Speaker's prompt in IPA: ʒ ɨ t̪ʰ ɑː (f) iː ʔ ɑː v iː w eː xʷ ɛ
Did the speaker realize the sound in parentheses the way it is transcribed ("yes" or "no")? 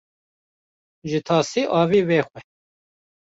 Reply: no